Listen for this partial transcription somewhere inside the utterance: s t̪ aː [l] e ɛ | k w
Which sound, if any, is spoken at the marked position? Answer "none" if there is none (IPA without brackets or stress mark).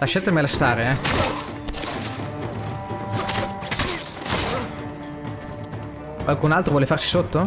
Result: ɾ